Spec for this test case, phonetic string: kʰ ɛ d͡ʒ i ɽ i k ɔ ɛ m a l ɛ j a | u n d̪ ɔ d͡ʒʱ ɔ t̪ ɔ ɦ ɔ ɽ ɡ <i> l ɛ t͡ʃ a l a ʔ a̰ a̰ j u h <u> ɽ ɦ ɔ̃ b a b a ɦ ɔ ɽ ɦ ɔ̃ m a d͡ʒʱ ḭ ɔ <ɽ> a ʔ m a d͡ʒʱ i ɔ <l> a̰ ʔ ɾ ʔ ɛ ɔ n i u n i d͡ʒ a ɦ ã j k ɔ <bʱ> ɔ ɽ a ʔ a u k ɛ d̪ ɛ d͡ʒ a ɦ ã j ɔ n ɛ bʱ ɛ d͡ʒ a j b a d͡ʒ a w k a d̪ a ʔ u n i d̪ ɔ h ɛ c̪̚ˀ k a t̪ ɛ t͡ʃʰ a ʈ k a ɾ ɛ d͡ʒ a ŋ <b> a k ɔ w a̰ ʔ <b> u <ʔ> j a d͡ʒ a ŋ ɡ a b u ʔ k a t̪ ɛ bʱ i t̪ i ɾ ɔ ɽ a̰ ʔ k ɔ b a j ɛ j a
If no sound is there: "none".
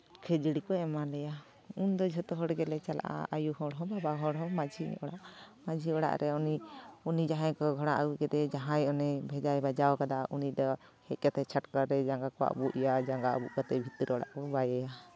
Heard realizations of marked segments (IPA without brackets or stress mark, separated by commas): ɛ, ɔ, ɽ, ɽ, ɡʱ, ɡ, b, ʔ